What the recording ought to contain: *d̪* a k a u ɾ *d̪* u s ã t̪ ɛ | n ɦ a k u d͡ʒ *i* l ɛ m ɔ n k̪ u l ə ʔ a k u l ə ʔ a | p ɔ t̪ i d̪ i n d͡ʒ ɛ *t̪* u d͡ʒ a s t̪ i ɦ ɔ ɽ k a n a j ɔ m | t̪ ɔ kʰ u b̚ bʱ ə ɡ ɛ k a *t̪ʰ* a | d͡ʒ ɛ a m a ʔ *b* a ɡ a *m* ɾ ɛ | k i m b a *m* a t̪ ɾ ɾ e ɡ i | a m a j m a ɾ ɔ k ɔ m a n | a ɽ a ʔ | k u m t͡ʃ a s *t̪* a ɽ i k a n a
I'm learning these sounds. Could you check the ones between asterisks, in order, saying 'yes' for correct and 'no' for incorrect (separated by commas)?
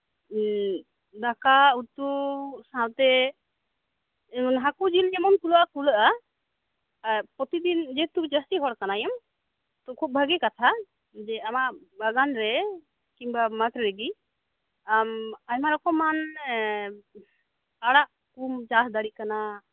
yes, no, yes, yes, yes, yes, no, yes, no